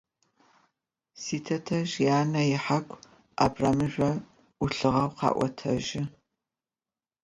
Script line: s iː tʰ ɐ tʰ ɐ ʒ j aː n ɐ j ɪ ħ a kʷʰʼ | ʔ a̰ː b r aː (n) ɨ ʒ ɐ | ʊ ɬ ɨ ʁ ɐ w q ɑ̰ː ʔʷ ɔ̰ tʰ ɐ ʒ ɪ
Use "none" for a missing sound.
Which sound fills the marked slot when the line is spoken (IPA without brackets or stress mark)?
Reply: m